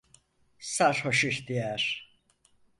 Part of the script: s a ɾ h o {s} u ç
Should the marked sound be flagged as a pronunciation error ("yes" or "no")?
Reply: yes